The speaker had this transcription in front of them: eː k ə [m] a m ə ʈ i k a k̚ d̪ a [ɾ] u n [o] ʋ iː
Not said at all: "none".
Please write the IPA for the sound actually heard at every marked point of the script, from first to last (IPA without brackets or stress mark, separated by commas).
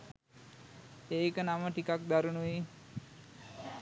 n, ɾ, u